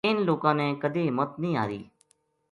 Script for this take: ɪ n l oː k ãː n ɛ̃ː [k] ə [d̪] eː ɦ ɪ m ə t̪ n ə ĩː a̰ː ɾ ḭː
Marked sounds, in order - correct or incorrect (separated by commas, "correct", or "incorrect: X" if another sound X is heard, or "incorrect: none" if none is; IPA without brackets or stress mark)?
correct, correct